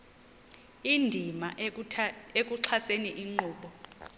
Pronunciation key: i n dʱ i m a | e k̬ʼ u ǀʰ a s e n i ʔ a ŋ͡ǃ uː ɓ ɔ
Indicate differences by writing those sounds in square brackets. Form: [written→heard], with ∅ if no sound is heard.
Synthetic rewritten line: i n dʱ i m a | e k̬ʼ u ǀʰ a s e n i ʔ [a→i] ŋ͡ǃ uː ɓ ɔ